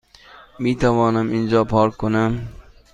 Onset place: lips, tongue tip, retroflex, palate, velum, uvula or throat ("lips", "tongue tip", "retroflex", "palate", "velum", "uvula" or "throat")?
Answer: lips